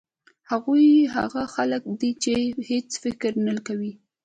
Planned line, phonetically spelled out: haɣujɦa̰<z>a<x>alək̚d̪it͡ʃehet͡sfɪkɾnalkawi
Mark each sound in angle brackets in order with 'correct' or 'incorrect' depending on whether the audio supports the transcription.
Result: incorrect: ɣ, correct

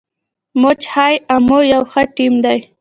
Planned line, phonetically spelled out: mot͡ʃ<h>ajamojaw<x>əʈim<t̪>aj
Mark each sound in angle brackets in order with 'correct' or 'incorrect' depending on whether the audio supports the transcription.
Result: correct, correct, incorrect: d̪

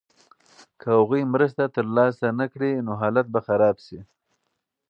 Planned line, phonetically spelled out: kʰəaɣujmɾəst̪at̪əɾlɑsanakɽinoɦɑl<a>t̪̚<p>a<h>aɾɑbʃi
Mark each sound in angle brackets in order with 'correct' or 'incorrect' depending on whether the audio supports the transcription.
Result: correct, incorrect: b, incorrect: x

